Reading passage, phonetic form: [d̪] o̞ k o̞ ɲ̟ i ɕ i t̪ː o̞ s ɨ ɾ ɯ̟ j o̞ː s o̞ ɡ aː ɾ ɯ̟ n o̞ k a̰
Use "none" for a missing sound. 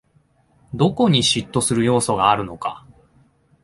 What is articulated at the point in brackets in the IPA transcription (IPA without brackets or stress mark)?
d̪